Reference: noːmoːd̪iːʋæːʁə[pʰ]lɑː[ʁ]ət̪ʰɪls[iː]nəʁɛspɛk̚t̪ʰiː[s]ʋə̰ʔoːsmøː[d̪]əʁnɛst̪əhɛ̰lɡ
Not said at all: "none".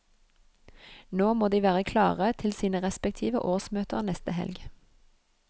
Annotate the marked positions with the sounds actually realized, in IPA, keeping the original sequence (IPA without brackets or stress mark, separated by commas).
kʰ, ʁ, iː, none, t̪